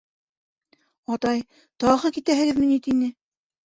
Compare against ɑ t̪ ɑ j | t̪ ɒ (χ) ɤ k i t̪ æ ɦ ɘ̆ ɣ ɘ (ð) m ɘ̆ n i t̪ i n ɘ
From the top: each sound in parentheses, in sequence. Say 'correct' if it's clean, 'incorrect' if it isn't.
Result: incorrect: ʁ, correct

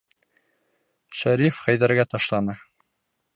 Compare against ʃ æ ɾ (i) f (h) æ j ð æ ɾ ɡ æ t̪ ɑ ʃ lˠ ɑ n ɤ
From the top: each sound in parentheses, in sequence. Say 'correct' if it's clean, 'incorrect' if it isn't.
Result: correct, incorrect: χ

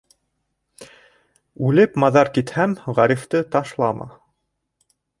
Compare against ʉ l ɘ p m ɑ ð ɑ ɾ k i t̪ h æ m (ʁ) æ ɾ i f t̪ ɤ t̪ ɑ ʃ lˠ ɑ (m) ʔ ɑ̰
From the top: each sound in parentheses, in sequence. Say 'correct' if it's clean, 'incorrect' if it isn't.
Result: correct, correct

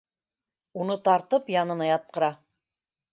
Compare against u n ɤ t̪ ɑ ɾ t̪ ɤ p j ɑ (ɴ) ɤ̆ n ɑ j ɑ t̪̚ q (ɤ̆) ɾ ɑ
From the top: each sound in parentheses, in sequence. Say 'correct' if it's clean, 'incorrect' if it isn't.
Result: incorrect: n, correct

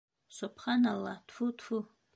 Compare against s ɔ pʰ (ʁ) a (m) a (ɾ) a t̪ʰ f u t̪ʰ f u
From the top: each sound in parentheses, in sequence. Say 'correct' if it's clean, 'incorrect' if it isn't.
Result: incorrect: χ, incorrect: n, incorrect: l

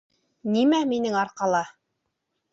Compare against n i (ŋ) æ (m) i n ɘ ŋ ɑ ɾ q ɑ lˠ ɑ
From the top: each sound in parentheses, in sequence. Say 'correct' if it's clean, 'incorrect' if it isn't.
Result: incorrect: m, correct

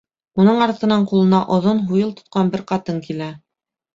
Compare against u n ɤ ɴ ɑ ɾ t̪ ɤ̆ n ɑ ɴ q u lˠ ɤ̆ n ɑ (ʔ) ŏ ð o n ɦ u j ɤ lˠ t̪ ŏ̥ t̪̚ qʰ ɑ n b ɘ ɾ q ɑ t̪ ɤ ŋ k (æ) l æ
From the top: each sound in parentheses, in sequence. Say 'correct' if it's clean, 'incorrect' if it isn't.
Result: correct, incorrect: i

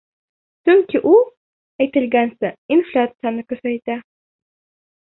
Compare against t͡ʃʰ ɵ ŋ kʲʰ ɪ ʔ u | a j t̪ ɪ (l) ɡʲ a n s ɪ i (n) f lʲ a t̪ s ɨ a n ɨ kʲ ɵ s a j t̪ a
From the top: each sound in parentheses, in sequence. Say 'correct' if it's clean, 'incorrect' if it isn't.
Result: correct, correct

